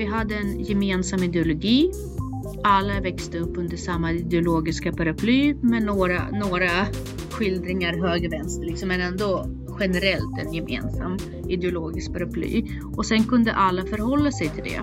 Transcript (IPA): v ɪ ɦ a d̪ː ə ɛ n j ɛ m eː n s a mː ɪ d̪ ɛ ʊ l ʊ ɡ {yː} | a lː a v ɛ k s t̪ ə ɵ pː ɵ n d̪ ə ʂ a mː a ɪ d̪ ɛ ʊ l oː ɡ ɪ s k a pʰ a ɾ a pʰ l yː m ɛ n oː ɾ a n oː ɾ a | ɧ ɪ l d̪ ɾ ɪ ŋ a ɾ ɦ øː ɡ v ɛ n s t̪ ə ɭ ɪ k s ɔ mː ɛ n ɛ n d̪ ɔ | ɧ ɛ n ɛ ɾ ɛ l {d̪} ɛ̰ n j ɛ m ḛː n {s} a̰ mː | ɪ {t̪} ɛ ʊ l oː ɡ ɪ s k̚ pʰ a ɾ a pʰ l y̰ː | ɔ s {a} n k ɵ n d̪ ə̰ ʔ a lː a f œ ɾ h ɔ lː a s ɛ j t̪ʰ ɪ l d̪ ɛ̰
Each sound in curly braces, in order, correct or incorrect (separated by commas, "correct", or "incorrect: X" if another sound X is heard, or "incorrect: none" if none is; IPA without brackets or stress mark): incorrect: iː, incorrect: t̪, correct, incorrect: d̪, incorrect: ɛ